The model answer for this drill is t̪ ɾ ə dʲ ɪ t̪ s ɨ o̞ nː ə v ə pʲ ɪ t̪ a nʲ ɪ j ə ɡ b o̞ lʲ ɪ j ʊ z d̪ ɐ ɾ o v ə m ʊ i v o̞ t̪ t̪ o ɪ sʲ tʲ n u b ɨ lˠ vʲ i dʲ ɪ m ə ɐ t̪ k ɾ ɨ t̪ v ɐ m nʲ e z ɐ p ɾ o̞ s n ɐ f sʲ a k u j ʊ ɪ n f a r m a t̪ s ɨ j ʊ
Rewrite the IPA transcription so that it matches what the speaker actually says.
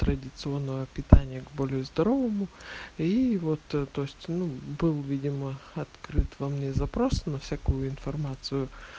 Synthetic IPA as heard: t̪ ɾ ə dʲ ɪ t̪ s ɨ o̞ nː ə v ə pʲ ɪ t̪ a nʲ ɪ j ə ɡ b o̞ lʲ ɪ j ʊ z d̪ ɐ ɾ o v ə m ʊ i v o̞ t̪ t̪ o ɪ sʲ tʲ n u b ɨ lˠ vʲ i dʲ ɪ m ə ɐ t̪ k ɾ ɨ t̪ v ɐ m nʲ e z ɐ p ɾ o̞ s n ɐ f sʲ a k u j ʊ ɪ n f ɐ r m a t̪ s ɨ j ʊ